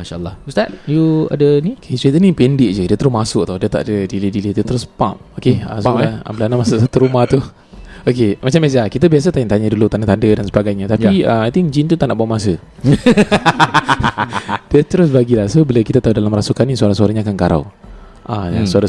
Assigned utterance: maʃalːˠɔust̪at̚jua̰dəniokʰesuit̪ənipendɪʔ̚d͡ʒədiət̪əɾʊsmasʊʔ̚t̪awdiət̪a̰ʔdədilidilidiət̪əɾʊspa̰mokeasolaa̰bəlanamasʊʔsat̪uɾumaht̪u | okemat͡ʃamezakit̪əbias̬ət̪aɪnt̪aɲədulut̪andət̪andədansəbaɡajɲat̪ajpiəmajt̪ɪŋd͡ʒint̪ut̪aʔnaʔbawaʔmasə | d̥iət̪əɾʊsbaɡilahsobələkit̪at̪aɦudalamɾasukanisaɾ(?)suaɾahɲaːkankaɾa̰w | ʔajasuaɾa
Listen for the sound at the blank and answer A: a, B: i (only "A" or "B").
A